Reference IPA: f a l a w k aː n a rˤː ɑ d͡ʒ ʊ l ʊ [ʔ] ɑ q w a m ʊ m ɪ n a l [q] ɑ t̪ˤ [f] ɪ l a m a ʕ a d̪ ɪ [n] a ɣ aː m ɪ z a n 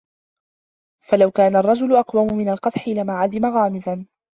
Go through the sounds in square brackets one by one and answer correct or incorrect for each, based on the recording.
correct, correct, incorrect, incorrect

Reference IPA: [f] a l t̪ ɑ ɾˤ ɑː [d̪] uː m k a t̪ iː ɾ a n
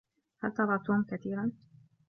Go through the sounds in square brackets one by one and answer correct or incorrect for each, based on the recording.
incorrect, incorrect

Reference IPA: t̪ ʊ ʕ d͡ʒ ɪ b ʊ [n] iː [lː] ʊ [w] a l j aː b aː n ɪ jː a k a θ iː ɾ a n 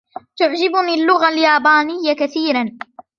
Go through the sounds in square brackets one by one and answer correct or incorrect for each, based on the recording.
correct, correct, incorrect

